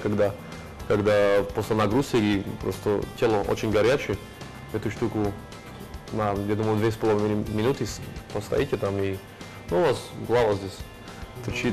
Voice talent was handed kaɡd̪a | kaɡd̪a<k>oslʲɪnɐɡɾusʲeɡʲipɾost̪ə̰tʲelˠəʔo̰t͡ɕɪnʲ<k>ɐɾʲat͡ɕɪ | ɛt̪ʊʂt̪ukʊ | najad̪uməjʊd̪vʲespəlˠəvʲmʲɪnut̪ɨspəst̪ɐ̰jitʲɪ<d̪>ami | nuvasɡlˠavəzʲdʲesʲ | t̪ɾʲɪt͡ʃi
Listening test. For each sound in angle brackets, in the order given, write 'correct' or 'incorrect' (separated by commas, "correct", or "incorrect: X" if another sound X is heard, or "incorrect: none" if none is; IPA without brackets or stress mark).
incorrect: p, incorrect: ɡ, incorrect: t̪